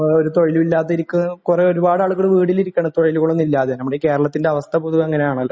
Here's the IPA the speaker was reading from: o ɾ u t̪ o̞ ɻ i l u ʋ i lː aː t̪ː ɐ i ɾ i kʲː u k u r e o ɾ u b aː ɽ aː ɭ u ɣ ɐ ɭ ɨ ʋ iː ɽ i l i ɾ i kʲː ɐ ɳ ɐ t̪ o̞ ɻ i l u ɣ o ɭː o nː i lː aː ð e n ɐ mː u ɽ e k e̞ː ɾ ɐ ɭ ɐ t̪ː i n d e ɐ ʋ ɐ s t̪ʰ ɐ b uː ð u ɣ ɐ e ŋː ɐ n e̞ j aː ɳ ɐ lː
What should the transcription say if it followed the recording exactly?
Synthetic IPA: o ɾ u t̪ o̞ ɻ i l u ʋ i lː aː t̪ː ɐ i ɾ i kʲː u k u r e o ɾ u b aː ɽ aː ɭ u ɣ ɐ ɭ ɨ ʋ iː ɽ i l i ɾ i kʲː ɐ ɳ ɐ t̪ o̞ ɻ i l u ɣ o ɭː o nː i lː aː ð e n ɐ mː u ɽ e k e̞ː ɾ ɐ ɭ ɐ t̪ː i n d e ɐ ʋ ɐ s t̪ʰ ɐ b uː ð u ɣ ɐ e ŋː ɐ n e̞ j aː ɳ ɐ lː